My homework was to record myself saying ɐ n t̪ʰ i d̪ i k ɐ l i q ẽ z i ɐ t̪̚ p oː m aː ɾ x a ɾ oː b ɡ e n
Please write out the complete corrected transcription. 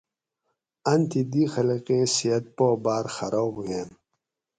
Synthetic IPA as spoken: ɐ n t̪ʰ i d̪ i x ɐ l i q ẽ s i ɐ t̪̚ p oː b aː ɾ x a ɾ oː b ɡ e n